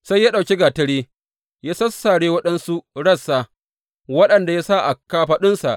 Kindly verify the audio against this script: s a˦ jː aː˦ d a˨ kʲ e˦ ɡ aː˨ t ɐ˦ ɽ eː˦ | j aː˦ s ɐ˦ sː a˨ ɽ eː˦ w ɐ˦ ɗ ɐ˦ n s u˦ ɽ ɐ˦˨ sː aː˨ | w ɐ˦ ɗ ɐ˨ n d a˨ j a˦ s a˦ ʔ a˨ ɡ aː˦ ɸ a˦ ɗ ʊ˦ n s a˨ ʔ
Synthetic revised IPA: s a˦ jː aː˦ ɗ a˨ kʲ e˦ ɡ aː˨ t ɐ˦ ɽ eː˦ | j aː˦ s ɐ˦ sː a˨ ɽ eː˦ w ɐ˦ ɗ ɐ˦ n s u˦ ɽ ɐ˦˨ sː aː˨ | w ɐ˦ ɗ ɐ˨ n d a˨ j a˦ s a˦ ʔ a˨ k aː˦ ɸ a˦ ɗ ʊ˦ n s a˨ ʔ